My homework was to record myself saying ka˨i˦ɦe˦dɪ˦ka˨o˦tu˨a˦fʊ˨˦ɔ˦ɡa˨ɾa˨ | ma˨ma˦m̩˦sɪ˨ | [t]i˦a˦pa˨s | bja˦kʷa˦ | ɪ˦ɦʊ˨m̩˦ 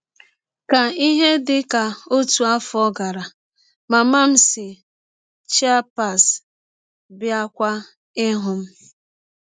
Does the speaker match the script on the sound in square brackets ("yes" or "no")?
no